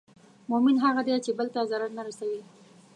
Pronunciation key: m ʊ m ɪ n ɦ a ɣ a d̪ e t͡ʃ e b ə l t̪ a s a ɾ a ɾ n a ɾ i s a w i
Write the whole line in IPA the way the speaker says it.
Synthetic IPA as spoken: m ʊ m ɪ n ɦ a ɣ a d̪ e t͡ʃ e b ə l t̪ a z a ɾ a ɾ n a ɾ a s a w i